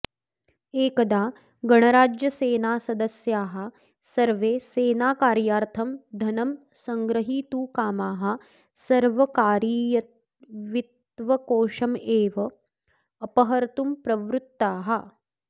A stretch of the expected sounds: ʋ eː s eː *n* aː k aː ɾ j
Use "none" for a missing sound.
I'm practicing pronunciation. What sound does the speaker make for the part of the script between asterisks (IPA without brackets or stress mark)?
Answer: n